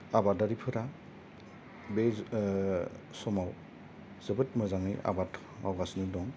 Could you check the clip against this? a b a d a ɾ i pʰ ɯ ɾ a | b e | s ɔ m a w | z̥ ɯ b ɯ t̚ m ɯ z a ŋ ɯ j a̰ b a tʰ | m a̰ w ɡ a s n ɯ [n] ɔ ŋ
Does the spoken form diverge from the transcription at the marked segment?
yes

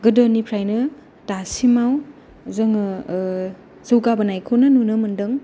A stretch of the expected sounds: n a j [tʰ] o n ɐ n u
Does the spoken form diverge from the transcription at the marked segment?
yes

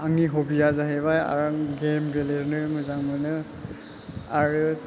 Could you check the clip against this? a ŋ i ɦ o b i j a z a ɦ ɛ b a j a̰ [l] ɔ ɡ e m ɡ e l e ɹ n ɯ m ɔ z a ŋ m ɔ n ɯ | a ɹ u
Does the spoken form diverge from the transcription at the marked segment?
yes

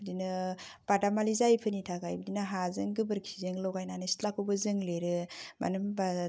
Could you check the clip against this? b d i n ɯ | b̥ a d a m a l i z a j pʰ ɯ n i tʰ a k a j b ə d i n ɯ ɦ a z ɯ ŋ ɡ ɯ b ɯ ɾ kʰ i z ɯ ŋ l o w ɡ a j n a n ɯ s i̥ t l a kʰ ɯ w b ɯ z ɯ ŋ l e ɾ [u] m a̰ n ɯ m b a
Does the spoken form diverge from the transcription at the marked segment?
yes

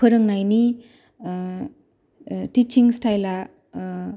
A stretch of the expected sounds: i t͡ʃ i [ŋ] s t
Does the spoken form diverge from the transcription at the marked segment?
no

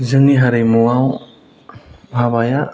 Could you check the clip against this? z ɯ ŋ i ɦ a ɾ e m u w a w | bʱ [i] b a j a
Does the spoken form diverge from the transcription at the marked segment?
yes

